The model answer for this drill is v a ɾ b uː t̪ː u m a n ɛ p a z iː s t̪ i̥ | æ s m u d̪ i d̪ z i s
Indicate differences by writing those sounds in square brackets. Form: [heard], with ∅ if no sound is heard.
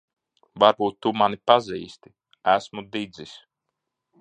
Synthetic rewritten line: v a ɾ b uː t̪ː u m a n [i] p a z iː s t̪ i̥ | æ s m u d̪ i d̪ z i s